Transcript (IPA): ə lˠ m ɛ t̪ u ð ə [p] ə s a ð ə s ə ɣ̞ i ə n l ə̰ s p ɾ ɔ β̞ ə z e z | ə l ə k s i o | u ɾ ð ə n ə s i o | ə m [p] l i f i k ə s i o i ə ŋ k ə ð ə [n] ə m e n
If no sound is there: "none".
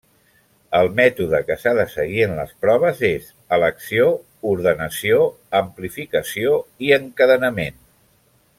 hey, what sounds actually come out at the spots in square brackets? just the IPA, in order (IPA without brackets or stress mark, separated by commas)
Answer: k, p, n